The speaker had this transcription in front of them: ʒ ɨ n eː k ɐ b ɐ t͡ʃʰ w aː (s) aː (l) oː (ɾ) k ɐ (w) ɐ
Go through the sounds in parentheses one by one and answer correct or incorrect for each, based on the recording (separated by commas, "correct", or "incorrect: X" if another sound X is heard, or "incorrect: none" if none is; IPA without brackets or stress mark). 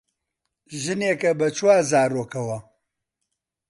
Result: incorrect: z, incorrect: ɾ, incorrect: none, correct